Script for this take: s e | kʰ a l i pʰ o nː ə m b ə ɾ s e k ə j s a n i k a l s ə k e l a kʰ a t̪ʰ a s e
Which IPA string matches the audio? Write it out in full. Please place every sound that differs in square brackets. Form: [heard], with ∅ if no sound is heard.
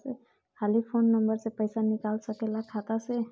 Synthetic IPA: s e | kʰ a l i pʰ o nː ə m b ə ɾ s e [p] ə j s a n i k a l s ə k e l a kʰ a [t̪] a s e